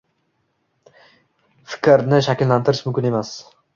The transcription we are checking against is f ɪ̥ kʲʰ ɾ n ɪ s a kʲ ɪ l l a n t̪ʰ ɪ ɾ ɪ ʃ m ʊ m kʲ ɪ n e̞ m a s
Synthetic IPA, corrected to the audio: f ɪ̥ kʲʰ ɾ n ɪ ʃ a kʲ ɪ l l a n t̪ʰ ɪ ɾ ɪ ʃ m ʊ m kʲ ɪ n e̞ m a s